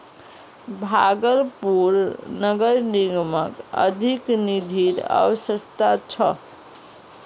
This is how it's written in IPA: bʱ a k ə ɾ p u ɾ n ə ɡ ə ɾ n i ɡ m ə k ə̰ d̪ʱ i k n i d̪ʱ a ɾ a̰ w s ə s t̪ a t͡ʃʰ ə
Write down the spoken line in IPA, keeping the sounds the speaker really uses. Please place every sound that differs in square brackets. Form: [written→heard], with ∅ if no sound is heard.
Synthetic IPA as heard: bʱ a [k→ɡ] ə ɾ p u ɾ n ə ɡ ə ɾ n i ɡ m ə k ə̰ d̪ʱ i k n i d̪ʱ [a→i] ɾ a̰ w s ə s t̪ a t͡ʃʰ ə